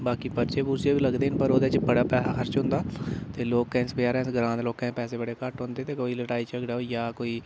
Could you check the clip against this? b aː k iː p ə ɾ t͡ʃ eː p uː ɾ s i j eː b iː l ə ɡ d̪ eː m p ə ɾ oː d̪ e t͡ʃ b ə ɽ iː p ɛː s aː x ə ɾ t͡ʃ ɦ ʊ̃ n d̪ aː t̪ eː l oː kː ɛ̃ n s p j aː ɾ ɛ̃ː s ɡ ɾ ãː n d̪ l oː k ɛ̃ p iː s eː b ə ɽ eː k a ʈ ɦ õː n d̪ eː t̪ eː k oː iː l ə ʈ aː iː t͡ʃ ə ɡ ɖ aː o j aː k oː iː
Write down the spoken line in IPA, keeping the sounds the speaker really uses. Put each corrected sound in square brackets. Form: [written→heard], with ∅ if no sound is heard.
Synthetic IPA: b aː k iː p ə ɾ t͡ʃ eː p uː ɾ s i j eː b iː l ə ɡ d̪ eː [m→n] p ə ɾ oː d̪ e t͡ʃ b ə ɽ [iː→aː] p ɛː s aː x ə ɾ t͡ʃ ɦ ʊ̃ n d̪ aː t̪ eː l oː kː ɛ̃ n s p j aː ɾ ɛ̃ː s ɡ ɾ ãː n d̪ l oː k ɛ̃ p [iː→ɛː] s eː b ə ɽ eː k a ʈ ɦ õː n d̪ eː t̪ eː k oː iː l ə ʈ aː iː t͡ʃ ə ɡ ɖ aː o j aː k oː iː